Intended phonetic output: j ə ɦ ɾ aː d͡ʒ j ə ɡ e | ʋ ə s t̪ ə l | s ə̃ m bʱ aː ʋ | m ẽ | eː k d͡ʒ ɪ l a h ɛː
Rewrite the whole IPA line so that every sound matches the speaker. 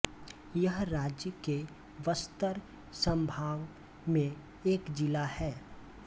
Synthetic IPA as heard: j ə ɦ ɾ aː d͡ʒ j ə k e | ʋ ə s t̪ ə ɾ | s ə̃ m bʱ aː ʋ | m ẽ | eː k d͡ʒ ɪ l a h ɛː

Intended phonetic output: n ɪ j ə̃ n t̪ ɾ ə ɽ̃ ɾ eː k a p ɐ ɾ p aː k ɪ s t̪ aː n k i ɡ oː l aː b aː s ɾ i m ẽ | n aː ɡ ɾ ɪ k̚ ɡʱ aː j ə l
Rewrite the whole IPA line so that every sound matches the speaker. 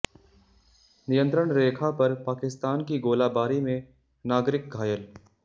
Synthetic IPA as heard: n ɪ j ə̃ n t̪ ɾ ə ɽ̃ ɾ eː kʰ a p ɐ ɾ p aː k ɪ s t̪ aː n k i ɡ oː l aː b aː ɾ i m ẽ | n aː ɡ ɾ ɪ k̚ ɡʱ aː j ə l

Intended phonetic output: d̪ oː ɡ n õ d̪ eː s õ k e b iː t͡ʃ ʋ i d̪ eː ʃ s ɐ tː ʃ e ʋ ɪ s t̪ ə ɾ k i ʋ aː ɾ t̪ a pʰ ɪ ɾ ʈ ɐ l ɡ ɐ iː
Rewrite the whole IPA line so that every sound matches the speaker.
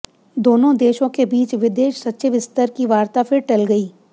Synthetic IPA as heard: d̪ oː n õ d̪ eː ʃ õ k e b iː t͡ʃ ʋ ɪ d̪ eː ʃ s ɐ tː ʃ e ʋ ɪ s t̪ ə ɾ k i ʋ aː ɾ t̪ a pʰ ɪ ɾ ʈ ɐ l ɡ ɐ iː

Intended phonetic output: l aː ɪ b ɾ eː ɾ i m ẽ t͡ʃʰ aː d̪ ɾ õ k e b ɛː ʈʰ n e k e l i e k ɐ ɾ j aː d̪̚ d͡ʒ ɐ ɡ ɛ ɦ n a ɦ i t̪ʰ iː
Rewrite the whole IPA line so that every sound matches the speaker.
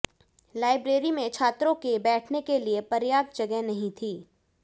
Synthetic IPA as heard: l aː ɪ b ɾ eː ɾ i m ẽ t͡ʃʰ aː t̪ ɾ õ k e b ɛː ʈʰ n e k e l i e p ɐ ɾ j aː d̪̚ d͡ʒ ɐ ɡ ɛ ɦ n ɐ ɦ ĩ t̪ʰ iː

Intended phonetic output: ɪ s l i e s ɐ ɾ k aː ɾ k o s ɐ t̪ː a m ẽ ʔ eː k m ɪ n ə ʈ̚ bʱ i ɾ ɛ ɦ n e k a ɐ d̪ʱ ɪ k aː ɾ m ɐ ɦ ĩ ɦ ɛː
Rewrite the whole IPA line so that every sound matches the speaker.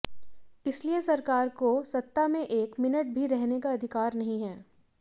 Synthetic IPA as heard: ɪ s l i e s ɐ ɾ k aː ɾ k o s ɐ t̪ː a m ẽ ʔ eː k m ɪ n ə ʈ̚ bʱ i ɾ ɛ ɦ n e k a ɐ d̪ʱ ɪ k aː ɾ n ɐ ɦ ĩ ɦ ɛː

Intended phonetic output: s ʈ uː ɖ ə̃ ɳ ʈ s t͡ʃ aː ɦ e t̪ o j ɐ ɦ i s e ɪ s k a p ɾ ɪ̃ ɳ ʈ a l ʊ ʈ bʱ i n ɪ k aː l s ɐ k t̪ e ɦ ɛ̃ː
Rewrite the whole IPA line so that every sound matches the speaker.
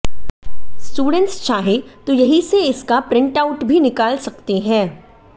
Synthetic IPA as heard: s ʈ uː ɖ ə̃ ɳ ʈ s t͡ʃ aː ɦ e t̪ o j ɐ ɦ i s e ɪ s k a p ɾ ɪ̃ ɳ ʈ a ʊ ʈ bʱ i n ɪ k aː l s ɐ k t̪ e ɦ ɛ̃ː

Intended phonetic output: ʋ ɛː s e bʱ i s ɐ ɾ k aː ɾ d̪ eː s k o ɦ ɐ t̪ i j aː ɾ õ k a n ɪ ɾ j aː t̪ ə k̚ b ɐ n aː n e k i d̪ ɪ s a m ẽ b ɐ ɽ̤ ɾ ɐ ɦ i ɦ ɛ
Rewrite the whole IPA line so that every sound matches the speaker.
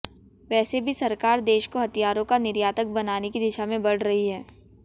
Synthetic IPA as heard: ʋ ɛː s e bʱ i s ɐ ɾ k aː ɾ d̪ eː ʃ k o ɦ ɐ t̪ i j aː ɾ õ k a n ɪ ɾ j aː t̪ ə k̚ b ɐ n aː n e k i d̪ ɪ ʃ a m ẽ b ɐ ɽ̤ ɾ ɐ ɦ i ɦ ɛː

